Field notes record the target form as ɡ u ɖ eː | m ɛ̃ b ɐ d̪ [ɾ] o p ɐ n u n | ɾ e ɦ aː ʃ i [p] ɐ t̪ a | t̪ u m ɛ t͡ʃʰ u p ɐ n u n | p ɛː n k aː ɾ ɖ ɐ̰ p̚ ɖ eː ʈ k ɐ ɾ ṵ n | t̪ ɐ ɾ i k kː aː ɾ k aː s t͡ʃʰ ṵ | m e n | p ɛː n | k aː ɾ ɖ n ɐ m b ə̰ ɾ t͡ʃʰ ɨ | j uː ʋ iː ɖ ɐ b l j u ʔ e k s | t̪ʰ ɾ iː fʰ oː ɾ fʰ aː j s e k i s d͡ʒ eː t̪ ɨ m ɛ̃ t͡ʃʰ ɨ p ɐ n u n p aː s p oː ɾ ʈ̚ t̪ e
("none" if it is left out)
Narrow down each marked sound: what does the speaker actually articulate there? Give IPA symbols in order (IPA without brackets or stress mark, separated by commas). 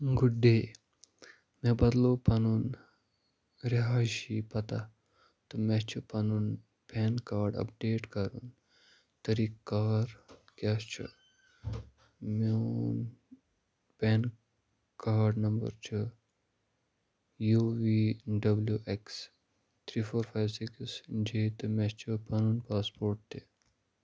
l, p